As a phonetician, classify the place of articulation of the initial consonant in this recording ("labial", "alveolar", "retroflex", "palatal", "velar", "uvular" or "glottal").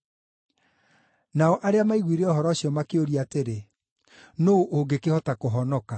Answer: alveolar